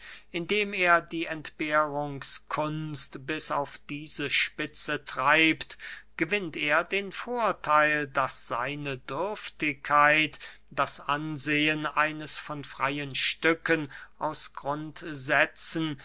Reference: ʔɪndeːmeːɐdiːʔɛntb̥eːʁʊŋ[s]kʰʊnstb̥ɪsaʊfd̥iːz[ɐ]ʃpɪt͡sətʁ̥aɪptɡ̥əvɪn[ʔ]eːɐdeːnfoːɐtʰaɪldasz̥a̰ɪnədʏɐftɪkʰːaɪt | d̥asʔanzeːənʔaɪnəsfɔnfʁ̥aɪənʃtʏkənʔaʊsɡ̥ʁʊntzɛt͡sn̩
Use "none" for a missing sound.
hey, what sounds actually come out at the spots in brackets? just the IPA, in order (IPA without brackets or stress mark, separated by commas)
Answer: s, ə, t